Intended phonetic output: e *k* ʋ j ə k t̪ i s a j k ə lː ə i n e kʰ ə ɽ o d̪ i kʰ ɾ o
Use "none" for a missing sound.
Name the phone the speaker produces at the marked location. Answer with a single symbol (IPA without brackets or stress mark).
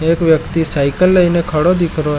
k